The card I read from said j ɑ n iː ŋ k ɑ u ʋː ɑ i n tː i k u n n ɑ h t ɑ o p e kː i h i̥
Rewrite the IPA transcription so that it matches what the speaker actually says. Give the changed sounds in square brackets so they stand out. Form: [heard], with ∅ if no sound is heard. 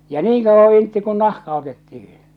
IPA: j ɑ n iː ŋ k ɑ u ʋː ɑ i n tː i k u n n ɑ h [k] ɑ o [t] e [tː] i h i̥

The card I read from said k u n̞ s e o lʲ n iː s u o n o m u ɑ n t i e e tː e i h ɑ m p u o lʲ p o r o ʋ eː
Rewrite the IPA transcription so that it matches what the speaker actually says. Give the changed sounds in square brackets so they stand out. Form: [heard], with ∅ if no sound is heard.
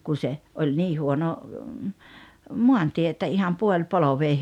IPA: k u n̞ s e o lʲ n iː [h] u o n o m u ɑ n t i e e tː [æ] i h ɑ m p u o lʲ p o [l] o ʋ eː

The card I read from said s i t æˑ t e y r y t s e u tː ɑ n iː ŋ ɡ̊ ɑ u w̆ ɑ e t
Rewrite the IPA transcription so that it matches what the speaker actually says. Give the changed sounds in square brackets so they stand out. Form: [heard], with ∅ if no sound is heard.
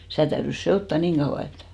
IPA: s i t æˑ t [æ] y r y [s] s e [o] tː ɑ n iː ŋ ɡ̊ ɑ u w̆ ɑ e t

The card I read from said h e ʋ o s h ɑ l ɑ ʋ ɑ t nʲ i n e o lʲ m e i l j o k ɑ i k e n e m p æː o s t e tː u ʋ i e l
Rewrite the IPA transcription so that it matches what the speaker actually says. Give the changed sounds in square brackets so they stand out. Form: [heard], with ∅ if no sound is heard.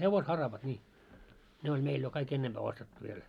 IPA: h e ʋ o s h ɑ [r] ɑ ʋ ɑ t nʲ [iː] n e o lʲ m e i l j o k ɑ i k e [nː] e m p æː o s t e tː u ʋ i e l

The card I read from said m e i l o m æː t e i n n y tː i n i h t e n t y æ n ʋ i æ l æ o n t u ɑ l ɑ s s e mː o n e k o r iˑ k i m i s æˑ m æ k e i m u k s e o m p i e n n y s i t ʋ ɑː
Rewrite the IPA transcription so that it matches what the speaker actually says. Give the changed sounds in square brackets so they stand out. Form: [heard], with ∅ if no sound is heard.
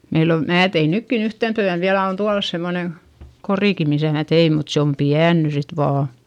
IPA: m e i l o m æː t e i n n y [kː] i n [y] h t e n t y æ n ʋ i æ l æ o n t u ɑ l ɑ s s e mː o n e k o r iˑ k i m i s æˑ m æ [t] e i m u [t] s e o m p i [æ] n n y s i t ʋ ɑː

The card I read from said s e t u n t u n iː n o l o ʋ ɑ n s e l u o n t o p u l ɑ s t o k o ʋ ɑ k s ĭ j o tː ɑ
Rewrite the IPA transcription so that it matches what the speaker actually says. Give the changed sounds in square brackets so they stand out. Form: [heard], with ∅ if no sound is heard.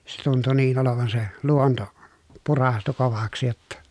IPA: s e t u n t u n iː n o l o ʋ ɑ n s e l u o n t o p u [r] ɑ s t [u] k o ʋ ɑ k s ĭ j o tː ɑ

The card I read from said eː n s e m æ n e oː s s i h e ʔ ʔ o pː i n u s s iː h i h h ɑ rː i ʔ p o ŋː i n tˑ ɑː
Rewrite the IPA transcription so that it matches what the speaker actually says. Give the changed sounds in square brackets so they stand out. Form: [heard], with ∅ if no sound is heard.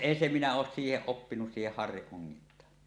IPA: eː n s e m [i] n [æ] oː s s [iː] h e ʔ ʔ o pː i n u s s iː h [e] h h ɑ rː i ʔ [ʔ] o ŋː i n tˑ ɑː

